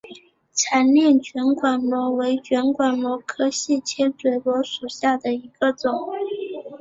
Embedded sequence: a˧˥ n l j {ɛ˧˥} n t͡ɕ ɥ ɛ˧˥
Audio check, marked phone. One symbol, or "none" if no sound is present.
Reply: ɛ˥˩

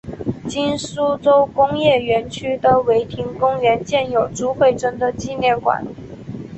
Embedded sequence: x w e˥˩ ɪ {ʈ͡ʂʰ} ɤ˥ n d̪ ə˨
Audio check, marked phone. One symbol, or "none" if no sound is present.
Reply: ʈ͡ʂ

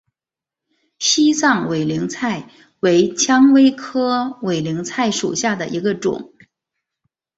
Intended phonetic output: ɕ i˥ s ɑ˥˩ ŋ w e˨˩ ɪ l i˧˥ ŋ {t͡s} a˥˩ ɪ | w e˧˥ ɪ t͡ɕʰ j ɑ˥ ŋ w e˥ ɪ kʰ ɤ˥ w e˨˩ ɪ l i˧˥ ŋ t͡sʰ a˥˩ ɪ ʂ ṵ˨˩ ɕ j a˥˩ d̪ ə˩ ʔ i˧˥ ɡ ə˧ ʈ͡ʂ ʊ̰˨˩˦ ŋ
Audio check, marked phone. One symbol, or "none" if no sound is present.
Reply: t͡sʰ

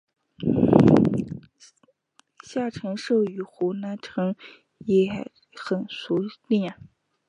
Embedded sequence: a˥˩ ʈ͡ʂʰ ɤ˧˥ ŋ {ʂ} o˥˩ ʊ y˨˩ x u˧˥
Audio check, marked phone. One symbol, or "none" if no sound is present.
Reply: ʂ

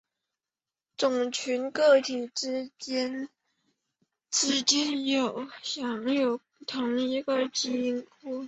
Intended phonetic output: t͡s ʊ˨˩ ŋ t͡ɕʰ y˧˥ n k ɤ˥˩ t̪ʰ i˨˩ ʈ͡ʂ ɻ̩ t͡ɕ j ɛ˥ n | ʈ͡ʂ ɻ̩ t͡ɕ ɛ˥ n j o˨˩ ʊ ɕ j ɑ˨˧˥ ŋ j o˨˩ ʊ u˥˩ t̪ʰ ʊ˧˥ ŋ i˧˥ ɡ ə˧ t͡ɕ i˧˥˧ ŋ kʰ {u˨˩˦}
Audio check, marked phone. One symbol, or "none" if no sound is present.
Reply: u˥˩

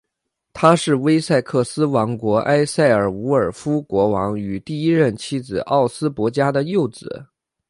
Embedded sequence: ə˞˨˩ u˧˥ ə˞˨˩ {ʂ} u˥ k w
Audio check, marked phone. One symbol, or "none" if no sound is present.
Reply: f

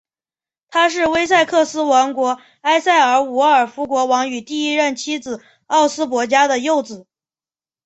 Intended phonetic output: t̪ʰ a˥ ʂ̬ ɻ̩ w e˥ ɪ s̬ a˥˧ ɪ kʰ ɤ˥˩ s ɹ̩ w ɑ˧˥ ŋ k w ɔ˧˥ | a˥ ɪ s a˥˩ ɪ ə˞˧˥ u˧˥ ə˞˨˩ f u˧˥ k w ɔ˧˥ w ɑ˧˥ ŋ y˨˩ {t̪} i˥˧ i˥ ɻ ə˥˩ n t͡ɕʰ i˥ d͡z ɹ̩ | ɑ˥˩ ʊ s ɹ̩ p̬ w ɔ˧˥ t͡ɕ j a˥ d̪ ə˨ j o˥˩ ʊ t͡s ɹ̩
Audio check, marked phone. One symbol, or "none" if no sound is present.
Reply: t̪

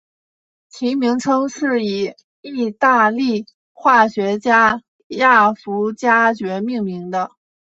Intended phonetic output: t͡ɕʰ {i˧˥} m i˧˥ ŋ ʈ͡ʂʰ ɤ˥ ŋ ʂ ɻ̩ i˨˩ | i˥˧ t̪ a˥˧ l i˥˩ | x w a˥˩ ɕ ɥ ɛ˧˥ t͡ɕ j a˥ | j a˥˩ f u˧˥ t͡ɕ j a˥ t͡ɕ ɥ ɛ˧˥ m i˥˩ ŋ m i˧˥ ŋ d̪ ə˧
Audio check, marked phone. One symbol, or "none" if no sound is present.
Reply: i˧˥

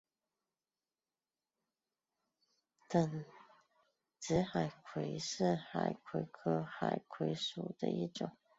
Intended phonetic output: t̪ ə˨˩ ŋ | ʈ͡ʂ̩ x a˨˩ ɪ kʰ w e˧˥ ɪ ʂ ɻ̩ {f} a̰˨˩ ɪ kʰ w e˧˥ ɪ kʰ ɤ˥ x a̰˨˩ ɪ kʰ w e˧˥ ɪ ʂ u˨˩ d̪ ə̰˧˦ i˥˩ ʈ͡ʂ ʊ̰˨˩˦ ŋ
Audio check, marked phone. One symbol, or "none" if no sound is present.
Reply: x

